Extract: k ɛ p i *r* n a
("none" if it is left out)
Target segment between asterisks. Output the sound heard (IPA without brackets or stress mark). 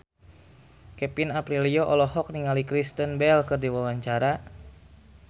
none